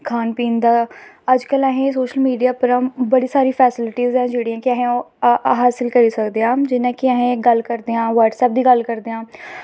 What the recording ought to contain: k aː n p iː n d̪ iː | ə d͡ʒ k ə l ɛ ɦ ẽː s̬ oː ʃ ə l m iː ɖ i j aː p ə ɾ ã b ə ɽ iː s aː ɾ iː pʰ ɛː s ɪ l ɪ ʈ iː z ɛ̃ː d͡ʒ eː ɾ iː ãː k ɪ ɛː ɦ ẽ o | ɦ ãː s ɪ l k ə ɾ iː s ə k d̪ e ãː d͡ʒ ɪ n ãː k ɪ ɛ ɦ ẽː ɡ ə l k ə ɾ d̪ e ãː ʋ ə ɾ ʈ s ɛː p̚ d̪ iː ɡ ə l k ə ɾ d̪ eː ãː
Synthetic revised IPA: kʰ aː n p iː n d̪ aː | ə d͡ʒ k ə l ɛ ɦ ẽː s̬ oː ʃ ə l m iː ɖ i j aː p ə ɾ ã b ə ɽ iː s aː ɾ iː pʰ ɛː s ɪ l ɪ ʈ iː z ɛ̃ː d͡ʒ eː ɽ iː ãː k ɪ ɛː ɦ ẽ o | ɦ aː s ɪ l k ə ɾ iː s ə k d̪ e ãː d͡ʒ ɪ n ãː k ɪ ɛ ɦ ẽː ɡ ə l k ə ɾ d̪ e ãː ʋ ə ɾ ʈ s ɛː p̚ d̪ iː ɡ ə l k ə ɾ d̪ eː ãː